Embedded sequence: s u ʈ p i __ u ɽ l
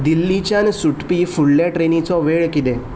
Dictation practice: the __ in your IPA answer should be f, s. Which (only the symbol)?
f